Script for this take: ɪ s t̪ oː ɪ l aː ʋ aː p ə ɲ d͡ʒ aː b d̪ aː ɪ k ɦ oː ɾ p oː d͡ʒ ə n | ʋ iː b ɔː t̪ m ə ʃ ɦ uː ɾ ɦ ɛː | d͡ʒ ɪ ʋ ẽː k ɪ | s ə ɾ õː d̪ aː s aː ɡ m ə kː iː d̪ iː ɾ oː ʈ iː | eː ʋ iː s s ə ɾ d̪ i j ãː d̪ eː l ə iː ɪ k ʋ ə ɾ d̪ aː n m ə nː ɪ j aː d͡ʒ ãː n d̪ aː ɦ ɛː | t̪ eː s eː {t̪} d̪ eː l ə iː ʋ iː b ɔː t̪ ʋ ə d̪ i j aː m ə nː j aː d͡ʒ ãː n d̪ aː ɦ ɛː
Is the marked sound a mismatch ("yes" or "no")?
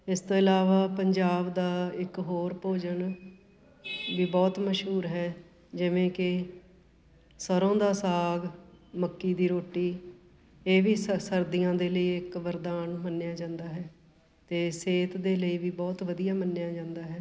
no